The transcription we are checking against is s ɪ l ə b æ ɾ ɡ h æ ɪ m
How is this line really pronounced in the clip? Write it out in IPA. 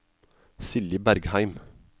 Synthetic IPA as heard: s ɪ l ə b æ ɾ ɡ h æ ɪ m